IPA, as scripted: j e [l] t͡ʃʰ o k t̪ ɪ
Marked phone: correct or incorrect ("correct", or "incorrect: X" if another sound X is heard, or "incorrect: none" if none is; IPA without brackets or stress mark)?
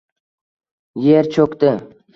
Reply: incorrect: ɾ